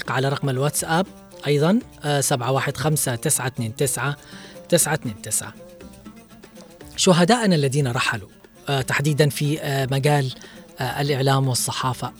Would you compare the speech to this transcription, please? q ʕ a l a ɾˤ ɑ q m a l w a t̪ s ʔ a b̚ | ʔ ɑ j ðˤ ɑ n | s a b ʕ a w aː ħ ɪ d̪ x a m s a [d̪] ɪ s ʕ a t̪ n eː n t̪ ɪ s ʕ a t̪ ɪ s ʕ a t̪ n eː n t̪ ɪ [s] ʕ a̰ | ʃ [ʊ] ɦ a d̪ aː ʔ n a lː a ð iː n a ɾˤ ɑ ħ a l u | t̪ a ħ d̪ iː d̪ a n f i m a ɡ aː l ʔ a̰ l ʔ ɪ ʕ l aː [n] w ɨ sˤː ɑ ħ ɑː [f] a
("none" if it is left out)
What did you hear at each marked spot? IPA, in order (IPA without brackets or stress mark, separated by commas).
t̪, s, ʊ, m, f